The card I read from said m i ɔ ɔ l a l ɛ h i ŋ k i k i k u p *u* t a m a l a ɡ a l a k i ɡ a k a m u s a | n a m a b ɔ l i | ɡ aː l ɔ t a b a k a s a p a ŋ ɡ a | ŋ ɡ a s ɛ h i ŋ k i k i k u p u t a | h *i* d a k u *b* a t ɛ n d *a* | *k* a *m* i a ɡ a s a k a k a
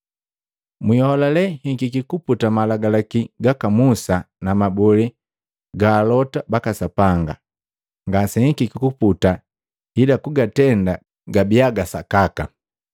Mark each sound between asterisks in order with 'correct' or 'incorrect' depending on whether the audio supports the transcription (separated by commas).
correct, correct, incorrect, correct, incorrect, incorrect